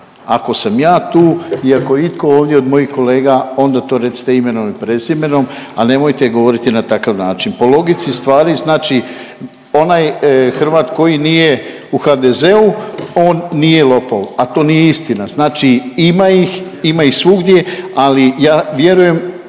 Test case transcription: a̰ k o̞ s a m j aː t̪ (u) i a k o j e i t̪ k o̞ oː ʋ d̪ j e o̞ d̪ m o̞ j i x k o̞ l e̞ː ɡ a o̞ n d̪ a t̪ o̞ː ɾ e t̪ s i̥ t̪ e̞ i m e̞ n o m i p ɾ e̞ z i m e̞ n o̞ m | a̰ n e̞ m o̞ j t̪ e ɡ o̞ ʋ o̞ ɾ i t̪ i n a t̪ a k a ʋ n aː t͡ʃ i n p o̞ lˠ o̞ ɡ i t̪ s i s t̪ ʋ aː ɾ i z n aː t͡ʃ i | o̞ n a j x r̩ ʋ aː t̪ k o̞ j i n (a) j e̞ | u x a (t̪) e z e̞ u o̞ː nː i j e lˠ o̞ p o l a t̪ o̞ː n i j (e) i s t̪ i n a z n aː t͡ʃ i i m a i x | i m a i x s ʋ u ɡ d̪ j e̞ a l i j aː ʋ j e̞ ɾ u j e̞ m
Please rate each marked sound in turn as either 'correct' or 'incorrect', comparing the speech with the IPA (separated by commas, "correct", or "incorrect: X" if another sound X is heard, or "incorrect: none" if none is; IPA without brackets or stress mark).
incorrect: uː, incorrect: i, incorrect: d̪, correct